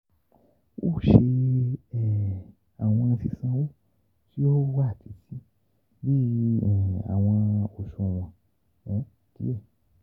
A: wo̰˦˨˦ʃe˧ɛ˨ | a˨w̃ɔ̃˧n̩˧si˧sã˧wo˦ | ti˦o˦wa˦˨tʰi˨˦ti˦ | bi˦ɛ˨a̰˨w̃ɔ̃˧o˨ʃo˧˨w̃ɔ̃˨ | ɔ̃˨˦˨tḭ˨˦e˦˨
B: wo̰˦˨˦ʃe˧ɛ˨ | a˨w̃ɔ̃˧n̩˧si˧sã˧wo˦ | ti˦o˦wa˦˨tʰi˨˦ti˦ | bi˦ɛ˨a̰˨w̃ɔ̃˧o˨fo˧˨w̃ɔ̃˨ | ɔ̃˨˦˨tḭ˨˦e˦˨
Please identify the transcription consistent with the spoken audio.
A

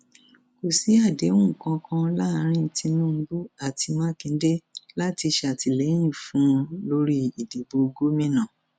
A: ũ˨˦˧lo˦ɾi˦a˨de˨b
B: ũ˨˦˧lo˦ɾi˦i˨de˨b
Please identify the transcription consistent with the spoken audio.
B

